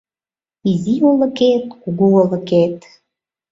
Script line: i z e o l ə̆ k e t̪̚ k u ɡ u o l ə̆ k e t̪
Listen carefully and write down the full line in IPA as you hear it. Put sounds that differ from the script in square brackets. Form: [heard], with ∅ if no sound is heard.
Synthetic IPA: i z [i] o l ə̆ k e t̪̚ k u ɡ u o l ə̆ k e t̪